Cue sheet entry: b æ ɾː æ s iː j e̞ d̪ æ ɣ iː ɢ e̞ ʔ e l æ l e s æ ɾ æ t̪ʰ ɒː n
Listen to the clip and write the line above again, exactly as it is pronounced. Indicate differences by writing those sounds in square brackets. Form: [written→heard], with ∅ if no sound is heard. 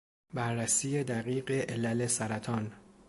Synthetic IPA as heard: b æ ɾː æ s iː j e̞ d̪ æ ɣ iː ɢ e̞ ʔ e l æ l e s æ ɾ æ t̪ʰ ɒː n